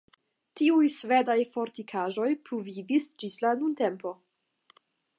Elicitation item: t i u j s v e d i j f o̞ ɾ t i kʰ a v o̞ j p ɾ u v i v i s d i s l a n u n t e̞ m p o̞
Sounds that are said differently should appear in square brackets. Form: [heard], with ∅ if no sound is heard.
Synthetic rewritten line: t i u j s v e d [a] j f o̞ ɾ t i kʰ a [ʒ] o̞ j p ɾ u v i v i s [d͡ʒ] i s l a n u n t e̞ m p o̞

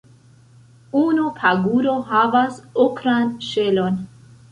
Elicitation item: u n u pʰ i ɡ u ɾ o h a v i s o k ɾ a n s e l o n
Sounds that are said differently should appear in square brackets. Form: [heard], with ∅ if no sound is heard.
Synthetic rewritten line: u n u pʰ [a] ɡ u ɾ o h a v [a] s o k ɾ a n [ʃ] e l o n

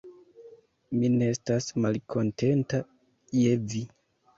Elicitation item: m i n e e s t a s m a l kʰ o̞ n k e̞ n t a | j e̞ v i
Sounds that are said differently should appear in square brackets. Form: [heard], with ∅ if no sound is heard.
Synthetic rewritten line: m i n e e s t a s m a l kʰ o̞ n [t] e̞ n t a | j e̞ v i

